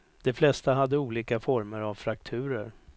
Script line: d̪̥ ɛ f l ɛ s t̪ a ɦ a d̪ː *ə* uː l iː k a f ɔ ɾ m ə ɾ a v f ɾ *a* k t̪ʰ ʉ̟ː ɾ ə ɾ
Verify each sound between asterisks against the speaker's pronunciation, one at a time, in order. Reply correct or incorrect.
correct, correct

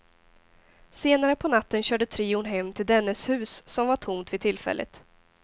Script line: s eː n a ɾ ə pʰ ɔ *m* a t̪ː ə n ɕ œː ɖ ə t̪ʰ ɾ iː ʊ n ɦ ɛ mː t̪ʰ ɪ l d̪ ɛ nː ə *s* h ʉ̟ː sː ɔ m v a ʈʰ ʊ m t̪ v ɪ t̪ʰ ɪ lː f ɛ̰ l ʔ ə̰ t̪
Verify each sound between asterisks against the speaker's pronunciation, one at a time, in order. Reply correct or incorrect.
incorrect: n, correct

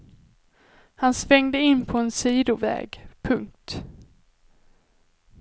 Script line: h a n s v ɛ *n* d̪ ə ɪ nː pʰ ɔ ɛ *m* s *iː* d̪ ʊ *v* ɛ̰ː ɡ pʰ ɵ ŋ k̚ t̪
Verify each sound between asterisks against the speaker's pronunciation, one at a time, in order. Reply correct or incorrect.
incorrect: ŋ, incorrect: n, correct, correct

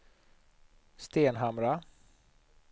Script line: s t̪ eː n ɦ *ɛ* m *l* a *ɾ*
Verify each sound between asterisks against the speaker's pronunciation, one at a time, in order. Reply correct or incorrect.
incorrect: a, incorrect: ɾ, incorrect: none

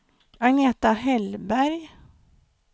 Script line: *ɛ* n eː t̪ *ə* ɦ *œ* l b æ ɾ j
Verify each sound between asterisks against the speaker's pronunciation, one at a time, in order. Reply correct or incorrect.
incorrect: a, incorrect: a, incorrect: ɛ

